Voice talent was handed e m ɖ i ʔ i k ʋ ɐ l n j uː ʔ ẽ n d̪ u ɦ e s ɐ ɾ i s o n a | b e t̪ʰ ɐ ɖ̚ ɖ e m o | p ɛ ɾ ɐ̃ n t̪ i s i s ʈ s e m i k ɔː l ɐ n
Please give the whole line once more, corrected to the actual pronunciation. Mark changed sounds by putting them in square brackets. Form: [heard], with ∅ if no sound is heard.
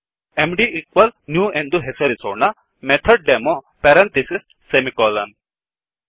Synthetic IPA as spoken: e m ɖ i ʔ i k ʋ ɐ l n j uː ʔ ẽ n d̪ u ɦ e s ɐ ɾ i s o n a | [m] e t̪ʰ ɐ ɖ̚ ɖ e m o | p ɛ ɾ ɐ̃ n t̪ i s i s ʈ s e m i k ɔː l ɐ n